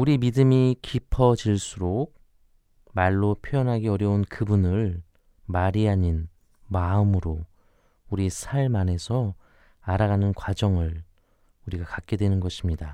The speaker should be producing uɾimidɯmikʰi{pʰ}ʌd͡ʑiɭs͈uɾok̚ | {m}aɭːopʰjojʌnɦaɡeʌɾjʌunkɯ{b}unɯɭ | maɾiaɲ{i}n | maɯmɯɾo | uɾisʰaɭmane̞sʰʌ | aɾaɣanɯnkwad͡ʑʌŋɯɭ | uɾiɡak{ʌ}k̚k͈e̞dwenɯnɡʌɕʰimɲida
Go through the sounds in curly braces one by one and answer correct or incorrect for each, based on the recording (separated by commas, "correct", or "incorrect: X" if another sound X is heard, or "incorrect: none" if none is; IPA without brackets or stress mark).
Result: correct, correct, correct, correct, incorrect: a